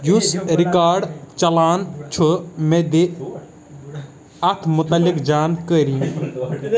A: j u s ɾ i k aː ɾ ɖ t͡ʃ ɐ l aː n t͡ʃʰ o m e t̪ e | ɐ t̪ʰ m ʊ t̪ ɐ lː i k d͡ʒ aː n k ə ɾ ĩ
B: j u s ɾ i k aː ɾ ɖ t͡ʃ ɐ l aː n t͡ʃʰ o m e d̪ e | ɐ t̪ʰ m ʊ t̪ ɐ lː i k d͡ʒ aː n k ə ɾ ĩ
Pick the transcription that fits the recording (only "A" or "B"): B